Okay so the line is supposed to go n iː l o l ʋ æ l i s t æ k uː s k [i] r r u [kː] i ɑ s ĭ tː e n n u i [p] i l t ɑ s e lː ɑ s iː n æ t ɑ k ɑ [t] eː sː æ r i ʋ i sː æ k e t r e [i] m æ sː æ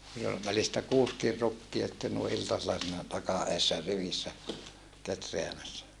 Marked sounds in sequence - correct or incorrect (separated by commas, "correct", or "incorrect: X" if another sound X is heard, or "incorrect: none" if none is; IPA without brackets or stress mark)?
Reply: correct, correct, incorrect: ʔ, incorrect: ʔ, incorrect: æ